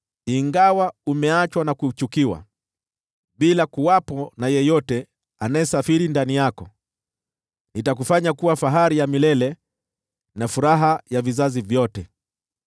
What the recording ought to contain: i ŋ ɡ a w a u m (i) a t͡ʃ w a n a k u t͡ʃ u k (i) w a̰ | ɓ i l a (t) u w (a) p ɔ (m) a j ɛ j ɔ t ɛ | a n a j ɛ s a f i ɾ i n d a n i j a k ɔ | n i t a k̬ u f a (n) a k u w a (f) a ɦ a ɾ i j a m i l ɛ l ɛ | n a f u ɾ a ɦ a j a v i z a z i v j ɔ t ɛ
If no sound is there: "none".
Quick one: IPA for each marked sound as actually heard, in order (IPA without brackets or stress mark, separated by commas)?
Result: ɛ, i, k, a, n, ɲ, f